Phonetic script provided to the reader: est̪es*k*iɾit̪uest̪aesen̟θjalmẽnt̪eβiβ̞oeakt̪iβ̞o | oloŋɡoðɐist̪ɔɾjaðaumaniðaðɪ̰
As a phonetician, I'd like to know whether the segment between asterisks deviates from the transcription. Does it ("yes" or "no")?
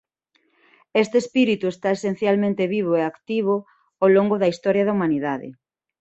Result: yes